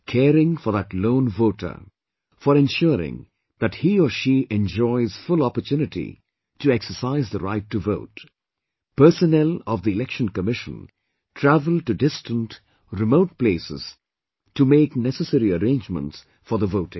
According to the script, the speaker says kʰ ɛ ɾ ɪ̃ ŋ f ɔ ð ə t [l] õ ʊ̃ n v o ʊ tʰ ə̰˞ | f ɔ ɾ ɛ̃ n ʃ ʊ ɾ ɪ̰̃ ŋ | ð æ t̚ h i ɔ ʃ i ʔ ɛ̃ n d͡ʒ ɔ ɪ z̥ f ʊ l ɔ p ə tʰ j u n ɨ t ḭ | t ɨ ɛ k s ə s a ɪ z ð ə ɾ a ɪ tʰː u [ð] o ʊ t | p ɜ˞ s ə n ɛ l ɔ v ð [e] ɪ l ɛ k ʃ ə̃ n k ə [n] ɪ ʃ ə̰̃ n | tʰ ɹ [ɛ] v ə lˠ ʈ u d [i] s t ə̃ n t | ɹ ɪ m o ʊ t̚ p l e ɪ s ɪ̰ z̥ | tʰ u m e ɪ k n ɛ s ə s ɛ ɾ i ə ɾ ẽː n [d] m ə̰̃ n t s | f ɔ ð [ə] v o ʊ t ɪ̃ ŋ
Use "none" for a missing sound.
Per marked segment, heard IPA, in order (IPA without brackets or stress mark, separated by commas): l, v, i, m, æ, ɪ, d͡ʒ, ə